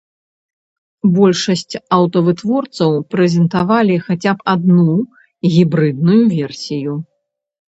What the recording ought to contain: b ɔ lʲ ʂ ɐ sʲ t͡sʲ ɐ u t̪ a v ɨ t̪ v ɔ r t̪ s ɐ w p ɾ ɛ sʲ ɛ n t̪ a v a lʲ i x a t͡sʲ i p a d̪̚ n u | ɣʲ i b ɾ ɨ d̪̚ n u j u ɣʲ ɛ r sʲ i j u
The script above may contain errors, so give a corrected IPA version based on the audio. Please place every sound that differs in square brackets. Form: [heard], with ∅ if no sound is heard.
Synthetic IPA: b ɔ lʲ ʂ ɐ sʲ t͡sʲ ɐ [w] t̪ [ɐ] v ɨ t̪ v ɔ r t̪ s ɐ w p ɾ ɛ [zʲ] ɛ n t̪ a v a lʲ i x a t͡sʲ [a] p a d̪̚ n u | ɣʲ i b ɾ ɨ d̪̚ n u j u [vʲ] ɛ r sʲ i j u